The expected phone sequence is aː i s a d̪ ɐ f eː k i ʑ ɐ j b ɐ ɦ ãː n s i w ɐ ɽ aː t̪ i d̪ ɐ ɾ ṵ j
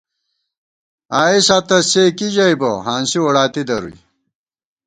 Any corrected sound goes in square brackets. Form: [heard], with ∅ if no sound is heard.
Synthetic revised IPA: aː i s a [t̪] ɐ [s] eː k i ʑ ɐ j b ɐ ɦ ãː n s i w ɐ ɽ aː t̪ i d̪ ɐ ɾ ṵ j

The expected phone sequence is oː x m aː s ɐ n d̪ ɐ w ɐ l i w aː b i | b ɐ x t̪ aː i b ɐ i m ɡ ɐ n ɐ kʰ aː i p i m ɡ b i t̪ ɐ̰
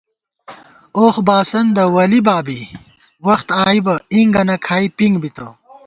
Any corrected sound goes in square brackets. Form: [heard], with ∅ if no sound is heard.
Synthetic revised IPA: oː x [b] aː s ɐ n d̪ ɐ w ɐ l i [b] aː b i | [w] ɐ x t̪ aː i b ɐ i [ŋ] ɡ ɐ n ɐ kʰ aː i p i [ŋ] ɡ b i t̪ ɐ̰

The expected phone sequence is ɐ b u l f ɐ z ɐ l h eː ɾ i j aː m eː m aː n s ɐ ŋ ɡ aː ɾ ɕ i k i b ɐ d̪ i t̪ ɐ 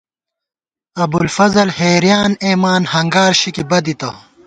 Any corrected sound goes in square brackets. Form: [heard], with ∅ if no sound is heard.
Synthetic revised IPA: ɐ b u l f ɐ z ɐ l h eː ɾ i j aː [n] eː m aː n [h] ɐ ŋ ɡ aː ɾ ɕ i k i b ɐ d̪ i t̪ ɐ

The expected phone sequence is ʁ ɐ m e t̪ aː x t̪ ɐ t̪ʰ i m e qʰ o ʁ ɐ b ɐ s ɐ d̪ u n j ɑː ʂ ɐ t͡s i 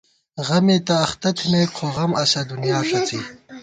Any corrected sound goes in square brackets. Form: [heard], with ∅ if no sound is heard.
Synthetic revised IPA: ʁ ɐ m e t̪ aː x t̪ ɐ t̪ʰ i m e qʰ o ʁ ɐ [m] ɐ s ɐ d̪ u n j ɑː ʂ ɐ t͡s i

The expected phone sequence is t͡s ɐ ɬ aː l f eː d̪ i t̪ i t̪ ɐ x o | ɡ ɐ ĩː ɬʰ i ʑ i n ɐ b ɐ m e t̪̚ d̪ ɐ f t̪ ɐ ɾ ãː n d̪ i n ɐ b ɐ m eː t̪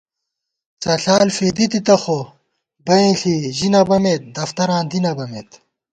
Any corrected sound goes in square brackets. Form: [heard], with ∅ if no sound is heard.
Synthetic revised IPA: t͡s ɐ ɬ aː l f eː d̪ i t̪ i t̪ ɐ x o | [b] ɐ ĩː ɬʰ i ʑ i n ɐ b ɐ m e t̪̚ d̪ ɐ f t̪ ɐ ɾ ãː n d̪ i n ɐ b ɐ m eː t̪

